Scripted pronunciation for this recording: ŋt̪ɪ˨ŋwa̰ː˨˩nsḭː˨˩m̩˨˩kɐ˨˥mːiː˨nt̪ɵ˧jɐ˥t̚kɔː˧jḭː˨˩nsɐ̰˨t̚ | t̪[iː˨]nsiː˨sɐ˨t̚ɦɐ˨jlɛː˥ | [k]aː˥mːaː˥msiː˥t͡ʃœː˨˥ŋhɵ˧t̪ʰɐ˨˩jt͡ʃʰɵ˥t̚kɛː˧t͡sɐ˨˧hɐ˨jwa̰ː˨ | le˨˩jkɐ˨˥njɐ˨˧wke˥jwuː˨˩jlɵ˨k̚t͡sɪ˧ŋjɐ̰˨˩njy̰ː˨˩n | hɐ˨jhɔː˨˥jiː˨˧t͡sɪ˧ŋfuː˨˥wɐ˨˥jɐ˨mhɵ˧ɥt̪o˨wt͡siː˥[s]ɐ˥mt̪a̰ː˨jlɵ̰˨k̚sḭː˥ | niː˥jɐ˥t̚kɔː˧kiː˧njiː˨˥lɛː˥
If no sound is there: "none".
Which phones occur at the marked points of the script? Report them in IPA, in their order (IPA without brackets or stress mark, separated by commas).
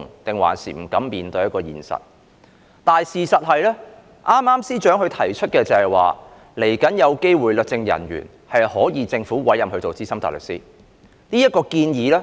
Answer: aː˨, ʔ, s